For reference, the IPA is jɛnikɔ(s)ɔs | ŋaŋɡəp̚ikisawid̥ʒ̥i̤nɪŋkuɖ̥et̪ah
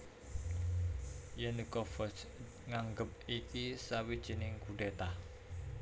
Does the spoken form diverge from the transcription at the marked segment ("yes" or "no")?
yes